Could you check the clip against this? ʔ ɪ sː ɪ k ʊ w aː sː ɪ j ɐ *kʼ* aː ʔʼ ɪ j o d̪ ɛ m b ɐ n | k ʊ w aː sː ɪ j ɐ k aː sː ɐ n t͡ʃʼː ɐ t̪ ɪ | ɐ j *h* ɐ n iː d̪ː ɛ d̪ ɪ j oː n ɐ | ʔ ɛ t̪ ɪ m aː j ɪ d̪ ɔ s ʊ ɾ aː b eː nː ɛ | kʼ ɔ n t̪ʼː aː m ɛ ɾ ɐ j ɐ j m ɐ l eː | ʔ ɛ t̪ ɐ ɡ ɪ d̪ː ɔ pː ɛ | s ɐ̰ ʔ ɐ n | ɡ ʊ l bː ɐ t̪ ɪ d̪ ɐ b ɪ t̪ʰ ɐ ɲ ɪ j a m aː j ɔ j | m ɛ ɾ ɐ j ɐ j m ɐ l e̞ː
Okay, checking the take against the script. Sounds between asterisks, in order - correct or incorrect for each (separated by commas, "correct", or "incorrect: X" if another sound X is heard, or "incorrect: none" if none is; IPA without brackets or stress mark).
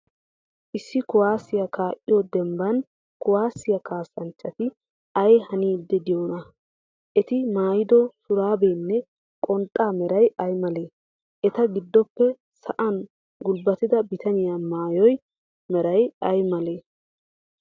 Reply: incorrect: k, correct